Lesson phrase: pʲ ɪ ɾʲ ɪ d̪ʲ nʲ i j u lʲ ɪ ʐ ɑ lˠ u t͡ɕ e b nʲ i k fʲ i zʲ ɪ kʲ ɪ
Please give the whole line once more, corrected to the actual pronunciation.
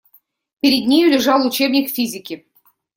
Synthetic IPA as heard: pʲ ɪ ɾʲ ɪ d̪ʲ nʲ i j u lʲ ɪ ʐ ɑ lˠ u t͡ɕ e b nʲ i k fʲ i zʲ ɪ kʲ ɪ